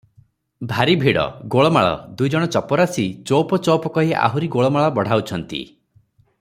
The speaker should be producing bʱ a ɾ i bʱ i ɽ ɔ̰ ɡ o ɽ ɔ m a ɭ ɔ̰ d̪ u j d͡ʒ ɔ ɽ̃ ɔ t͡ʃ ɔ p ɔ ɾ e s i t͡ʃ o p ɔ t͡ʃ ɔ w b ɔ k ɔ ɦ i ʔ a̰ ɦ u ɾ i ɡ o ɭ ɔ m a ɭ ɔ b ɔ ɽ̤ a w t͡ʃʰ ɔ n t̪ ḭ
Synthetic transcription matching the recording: bʱ a ɾ i bʱ i ɽ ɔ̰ ɡ o ɭ ɔ m a ɭ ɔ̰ d̪ u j d͡ʒ ɔ ɽ̃ ɔ t͡ʃ ɔ p ɔ ɾ a s i t͡ʃ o p ɔ t͡ʃ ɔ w p ɔ k ɔ ɦ i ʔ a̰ ɦ u ɾ i ɡ o ɭ ɔ m a ɭ ɔ b ɔ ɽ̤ a w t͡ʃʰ ɔ n t̪ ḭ